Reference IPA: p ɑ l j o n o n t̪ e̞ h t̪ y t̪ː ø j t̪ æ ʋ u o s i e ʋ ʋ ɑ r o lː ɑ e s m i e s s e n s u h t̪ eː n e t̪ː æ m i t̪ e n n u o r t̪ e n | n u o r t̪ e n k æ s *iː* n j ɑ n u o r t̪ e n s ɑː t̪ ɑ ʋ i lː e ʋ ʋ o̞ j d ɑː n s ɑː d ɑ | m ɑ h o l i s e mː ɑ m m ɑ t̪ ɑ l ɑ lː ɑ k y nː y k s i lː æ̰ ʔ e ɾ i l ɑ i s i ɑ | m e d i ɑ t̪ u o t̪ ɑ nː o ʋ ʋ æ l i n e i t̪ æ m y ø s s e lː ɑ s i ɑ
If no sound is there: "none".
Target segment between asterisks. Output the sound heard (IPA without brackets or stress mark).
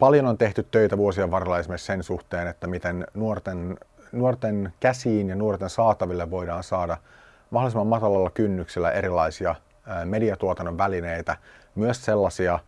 iː